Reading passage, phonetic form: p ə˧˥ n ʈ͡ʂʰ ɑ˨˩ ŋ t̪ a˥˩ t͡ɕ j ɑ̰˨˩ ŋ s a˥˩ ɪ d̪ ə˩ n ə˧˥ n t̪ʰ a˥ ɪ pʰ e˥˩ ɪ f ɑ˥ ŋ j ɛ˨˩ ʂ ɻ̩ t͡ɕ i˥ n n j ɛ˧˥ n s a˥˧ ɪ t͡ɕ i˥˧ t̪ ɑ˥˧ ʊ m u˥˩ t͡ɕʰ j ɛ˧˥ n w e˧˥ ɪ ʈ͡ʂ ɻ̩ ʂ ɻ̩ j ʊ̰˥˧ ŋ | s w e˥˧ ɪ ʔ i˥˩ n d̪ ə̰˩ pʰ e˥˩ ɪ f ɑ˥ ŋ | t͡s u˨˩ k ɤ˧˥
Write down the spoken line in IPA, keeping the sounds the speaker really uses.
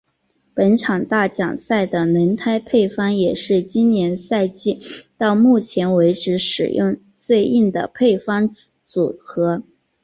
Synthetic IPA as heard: p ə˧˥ n ʈ͡ʂʰ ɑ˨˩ ŋ t̪ a˥˩ t͡ɕ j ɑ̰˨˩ ŋ s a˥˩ ɪ d̪ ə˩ n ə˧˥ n t̪ʰ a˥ ɪ pʰ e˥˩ ɪ f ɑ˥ ŋ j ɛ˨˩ ʂ ɻ̩ t͡ɕ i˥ n n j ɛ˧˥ n s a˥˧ ɪ t͡ɕ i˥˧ t̪ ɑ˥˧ ʊ m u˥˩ t͡ɕʰ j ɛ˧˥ n w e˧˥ ɪ ʈ͡ʂ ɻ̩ ʂ ɻ̩ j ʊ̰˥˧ ŋ | s w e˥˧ ɪ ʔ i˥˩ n d̪ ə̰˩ pʰ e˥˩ ɪ f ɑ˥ ŋ | t͡s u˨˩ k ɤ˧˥